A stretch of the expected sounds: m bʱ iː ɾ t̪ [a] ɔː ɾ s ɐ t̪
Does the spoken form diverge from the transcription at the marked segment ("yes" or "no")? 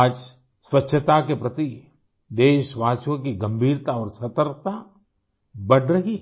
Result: no